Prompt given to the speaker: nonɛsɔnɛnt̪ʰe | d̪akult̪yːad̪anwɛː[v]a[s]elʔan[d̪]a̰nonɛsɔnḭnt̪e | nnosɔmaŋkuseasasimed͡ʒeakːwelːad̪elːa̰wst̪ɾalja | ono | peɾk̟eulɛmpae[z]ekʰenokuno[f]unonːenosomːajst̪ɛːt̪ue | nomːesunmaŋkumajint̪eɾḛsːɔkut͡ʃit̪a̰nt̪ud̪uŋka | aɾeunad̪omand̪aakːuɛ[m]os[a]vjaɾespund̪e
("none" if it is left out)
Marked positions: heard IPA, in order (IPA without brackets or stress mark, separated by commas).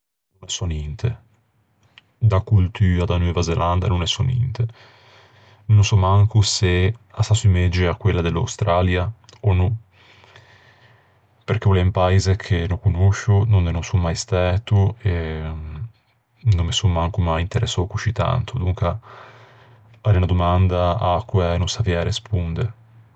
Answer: v, z, d̪, z, ʃ, n, a